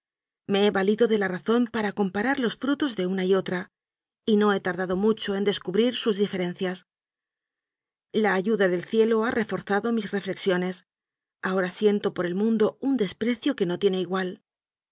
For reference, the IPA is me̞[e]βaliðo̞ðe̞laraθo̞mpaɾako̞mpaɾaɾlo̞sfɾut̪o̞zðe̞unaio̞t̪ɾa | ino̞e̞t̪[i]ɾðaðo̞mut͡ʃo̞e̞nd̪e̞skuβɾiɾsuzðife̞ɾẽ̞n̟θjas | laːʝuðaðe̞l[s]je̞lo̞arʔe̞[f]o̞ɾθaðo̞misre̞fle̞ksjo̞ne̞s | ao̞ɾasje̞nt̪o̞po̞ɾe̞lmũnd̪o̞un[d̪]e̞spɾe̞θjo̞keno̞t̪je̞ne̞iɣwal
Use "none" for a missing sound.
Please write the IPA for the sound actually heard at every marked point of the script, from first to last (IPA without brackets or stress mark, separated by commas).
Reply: e, a, θ, f, d̪